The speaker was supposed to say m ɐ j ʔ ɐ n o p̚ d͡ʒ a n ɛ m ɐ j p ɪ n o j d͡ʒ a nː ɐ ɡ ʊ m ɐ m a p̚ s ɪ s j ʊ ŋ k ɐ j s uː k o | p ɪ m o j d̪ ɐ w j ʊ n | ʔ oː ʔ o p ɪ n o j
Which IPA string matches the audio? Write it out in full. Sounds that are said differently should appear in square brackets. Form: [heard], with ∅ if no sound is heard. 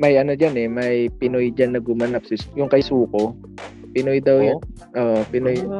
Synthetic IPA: m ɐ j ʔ ɐ n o [∅] d͡ʒ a n ɛ m ɐ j p ɪ n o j d͡ʒ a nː ɐ ɡ ʊ m ɐ [n] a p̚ s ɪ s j ʊ ŋ k ɐ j s uː k o | p ɪ [n] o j d̪ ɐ w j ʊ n | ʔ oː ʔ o p ɪ n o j